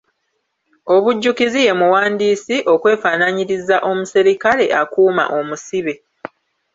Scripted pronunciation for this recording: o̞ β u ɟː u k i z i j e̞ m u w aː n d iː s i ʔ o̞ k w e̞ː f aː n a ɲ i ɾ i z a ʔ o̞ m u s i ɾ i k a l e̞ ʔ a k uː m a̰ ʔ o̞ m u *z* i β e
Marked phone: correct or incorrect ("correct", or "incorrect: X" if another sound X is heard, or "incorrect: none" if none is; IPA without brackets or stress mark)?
incorrect: s